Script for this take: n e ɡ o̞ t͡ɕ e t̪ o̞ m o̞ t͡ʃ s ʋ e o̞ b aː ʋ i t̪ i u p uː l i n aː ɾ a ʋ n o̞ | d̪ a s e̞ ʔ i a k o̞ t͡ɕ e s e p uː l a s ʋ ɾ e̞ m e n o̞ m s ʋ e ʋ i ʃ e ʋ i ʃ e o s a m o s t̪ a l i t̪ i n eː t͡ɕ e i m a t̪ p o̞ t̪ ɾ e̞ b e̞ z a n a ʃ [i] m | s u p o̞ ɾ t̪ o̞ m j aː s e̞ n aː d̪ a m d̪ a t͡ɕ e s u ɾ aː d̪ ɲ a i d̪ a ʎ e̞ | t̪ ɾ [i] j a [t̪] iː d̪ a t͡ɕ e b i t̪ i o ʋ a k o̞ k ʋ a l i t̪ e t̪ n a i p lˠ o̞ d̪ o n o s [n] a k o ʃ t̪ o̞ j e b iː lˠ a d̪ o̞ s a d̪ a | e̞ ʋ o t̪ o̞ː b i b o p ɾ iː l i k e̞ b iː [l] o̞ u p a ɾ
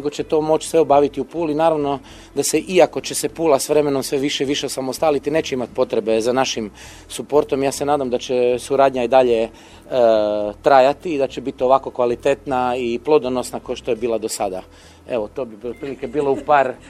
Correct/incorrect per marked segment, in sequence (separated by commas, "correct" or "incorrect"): correct, incorrect, correct, correct, correct